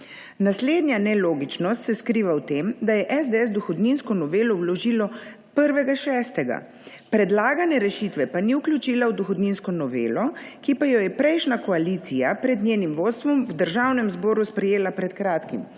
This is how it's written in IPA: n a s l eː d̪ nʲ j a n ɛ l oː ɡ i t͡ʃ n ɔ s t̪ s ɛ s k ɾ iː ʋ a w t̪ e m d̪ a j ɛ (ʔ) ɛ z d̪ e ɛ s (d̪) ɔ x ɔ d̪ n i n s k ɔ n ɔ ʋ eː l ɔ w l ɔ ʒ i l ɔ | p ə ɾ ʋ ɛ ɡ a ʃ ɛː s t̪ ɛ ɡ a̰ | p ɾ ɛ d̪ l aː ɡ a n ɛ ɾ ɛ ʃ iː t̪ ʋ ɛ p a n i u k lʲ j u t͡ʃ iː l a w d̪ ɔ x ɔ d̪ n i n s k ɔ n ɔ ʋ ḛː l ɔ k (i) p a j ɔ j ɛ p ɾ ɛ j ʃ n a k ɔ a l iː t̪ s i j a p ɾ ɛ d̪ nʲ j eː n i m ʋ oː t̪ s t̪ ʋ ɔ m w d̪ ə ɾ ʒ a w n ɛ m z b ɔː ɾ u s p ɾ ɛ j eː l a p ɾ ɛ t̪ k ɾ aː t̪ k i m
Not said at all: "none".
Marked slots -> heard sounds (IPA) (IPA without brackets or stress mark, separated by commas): ʔ, d̪, i